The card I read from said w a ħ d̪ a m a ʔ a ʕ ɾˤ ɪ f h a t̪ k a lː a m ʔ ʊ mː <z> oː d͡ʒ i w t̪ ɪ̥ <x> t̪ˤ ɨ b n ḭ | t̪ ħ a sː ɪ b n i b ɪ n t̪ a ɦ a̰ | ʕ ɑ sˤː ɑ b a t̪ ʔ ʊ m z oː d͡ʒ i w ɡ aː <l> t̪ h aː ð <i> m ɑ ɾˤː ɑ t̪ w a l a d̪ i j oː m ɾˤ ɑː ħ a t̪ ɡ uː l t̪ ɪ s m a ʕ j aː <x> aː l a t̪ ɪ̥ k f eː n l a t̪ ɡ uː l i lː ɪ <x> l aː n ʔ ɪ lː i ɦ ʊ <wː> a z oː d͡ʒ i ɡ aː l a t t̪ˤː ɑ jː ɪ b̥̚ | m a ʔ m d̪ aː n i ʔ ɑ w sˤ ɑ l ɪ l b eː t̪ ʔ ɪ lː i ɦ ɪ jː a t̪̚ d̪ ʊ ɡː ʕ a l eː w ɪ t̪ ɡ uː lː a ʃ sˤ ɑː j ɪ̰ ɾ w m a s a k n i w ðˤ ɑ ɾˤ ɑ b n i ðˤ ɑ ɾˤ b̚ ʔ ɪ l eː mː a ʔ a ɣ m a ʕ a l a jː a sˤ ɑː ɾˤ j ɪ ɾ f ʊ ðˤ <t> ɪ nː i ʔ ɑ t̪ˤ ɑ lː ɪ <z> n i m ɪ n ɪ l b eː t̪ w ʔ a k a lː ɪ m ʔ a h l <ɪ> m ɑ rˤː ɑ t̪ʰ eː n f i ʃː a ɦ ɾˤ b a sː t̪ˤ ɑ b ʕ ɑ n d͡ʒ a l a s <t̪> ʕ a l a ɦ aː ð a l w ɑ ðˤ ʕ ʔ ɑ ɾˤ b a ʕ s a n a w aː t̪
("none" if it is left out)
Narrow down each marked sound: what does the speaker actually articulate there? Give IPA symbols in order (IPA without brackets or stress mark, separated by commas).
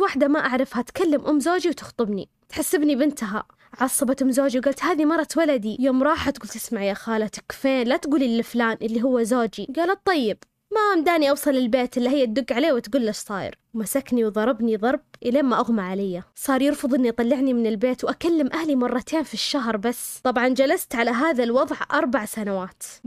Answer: z, x, l, i, x, f, wː, ʔ, ʕ, i, t̪